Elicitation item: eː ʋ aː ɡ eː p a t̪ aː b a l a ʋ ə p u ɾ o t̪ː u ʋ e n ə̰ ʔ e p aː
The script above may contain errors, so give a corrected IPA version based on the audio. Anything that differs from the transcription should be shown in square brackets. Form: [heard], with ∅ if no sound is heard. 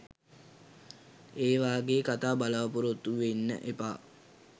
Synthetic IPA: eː ʋ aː ɡ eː [k] a t̪ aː b a l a ʋ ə p u ɾ o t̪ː u ʋ e [nː] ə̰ ʔ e p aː